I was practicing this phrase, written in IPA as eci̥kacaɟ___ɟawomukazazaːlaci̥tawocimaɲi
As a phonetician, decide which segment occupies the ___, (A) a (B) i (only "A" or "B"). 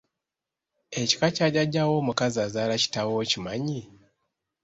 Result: A